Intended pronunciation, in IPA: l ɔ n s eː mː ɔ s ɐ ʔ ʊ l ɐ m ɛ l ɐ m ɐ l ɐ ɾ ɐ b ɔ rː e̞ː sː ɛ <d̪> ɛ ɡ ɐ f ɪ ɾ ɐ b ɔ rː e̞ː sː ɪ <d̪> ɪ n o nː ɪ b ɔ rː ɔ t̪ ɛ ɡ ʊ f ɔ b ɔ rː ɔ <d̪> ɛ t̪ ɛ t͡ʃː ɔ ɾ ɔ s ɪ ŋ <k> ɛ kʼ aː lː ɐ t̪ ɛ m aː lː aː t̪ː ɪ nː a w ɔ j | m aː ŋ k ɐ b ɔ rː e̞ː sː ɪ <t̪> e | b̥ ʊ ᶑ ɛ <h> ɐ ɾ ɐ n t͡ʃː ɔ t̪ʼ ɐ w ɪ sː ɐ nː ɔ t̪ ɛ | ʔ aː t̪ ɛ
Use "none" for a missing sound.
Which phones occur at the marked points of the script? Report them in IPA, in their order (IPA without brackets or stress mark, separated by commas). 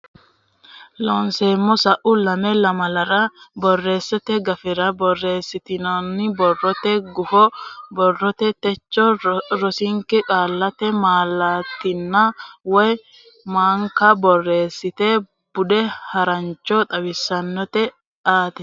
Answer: t̪, t̪, t̪, k, t̪, h